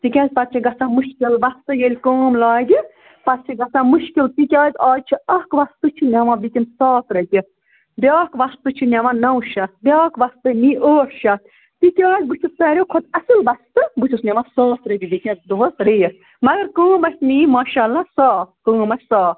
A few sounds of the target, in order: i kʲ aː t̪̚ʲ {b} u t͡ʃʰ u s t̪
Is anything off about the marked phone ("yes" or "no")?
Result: no